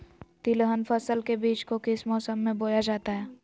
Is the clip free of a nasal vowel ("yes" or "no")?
no